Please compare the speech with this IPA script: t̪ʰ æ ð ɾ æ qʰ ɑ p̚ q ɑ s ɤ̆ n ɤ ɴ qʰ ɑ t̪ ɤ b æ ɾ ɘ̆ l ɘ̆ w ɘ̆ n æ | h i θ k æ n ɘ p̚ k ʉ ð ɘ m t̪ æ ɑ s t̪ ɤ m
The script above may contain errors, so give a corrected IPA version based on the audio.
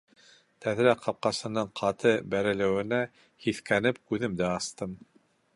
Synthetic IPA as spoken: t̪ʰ æ ð ɾ æ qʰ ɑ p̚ q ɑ s ɤ̆ n ɤ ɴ qʰ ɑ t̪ ɤ b æ ɾ ɘ̆ l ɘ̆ w ɘ̆ n æ | h i θ k æ n ɘ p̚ k ʉ ð ɘ m d̪ æ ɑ s t̪ ɤ m